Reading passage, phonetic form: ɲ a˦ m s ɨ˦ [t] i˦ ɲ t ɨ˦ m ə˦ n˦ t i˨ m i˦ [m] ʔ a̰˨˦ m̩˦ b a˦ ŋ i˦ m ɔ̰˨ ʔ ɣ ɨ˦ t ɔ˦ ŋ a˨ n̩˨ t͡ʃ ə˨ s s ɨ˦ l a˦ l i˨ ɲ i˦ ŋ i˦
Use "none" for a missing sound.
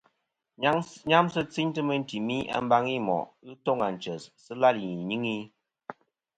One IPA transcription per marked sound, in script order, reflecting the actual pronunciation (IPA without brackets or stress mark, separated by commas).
t͡s, none